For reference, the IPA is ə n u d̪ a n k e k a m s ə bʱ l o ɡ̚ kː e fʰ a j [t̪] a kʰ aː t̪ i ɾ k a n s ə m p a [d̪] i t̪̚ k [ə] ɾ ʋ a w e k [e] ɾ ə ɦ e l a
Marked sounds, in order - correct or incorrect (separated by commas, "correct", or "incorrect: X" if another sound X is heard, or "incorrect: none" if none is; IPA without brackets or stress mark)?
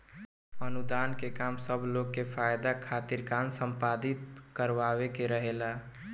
incorrect: d̪, correct, correct, correct